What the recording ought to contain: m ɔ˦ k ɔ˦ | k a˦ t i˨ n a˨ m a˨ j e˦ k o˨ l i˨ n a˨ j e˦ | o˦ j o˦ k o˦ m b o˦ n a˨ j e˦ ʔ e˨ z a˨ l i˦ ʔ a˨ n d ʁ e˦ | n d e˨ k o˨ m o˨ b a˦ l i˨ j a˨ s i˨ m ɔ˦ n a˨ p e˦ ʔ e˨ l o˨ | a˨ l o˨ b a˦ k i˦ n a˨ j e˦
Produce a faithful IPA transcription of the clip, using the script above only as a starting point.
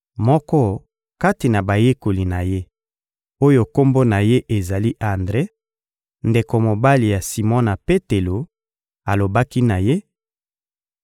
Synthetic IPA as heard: m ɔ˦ k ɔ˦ | k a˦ t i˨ n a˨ b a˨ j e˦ k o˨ l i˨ n a˨ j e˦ | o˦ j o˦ k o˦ m b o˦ n a˨ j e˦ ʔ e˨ z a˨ l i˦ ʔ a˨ n d ʁ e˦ | n d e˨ k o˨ m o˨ b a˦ l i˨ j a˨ s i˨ m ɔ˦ n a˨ p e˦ t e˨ l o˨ | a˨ l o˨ b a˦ k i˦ n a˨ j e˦